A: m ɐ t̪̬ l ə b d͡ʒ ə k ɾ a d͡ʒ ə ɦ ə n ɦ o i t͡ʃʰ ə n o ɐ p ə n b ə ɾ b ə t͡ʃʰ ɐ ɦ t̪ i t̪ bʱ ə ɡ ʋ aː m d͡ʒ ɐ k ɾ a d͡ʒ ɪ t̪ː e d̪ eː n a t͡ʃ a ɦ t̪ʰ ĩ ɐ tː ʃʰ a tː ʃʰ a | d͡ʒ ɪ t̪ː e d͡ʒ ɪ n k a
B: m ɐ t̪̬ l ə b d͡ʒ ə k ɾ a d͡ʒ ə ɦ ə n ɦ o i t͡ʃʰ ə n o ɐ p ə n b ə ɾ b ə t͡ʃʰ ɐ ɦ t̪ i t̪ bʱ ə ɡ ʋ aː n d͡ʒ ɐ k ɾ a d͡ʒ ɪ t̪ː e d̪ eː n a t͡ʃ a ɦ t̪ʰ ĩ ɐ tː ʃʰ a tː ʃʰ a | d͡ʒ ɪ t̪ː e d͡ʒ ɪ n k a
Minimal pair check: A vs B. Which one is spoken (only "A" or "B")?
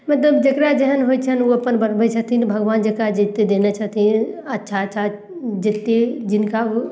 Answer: B